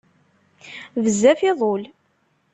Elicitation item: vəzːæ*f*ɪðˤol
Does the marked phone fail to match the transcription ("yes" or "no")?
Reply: no